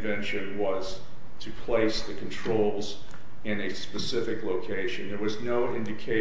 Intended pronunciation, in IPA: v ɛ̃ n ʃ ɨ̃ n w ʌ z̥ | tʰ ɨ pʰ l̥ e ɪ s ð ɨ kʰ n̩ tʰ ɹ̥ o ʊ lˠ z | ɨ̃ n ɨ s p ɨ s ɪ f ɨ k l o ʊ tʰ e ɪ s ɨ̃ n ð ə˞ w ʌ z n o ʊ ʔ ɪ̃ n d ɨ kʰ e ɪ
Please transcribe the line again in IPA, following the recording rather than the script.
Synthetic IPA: v ɛ̃ n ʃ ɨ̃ n w ʌ z̥ | tʰ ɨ pʰ l̥ e ɪ s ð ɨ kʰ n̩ tʰ ɹ̥ o ʊ lˠ z | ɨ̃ n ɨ s p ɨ s ɪ f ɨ k l o ʊ kʰ e ɪ ʃ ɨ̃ n ð ə˞ w ʌ z n o ʊ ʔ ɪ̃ n d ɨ kʰ e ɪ